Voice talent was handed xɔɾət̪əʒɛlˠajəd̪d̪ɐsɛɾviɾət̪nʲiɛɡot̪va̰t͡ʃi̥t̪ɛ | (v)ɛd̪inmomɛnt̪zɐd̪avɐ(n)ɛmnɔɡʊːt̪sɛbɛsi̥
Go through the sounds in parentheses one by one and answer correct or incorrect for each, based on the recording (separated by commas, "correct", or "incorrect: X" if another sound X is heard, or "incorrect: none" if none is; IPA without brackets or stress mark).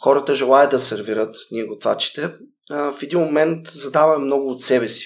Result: incorrect: f, incorrect: m